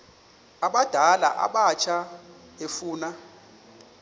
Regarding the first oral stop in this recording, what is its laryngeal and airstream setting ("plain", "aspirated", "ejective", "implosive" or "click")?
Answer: implosive